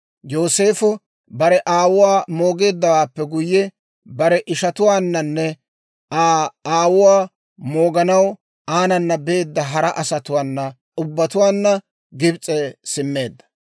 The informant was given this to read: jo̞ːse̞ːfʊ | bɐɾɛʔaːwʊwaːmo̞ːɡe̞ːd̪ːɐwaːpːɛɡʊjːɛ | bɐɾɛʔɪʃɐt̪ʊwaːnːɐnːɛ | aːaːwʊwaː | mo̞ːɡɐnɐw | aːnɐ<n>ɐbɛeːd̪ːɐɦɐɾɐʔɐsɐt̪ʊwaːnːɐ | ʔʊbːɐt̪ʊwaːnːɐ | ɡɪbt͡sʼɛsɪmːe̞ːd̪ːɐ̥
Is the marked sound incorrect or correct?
incorrect